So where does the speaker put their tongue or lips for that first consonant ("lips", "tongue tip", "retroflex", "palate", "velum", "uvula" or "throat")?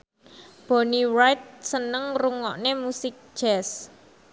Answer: lips